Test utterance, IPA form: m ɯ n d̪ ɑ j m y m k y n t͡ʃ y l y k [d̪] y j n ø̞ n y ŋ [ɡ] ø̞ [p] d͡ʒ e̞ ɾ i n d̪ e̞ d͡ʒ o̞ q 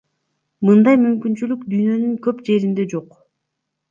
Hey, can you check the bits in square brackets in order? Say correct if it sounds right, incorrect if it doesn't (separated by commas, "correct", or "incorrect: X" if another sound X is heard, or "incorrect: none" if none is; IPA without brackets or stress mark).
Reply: correct, incorrect: k, correct